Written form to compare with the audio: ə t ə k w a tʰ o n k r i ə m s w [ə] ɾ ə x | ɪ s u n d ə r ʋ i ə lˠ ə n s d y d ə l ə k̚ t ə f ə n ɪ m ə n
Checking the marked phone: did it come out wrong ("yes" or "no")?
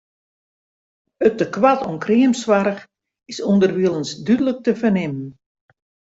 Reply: yes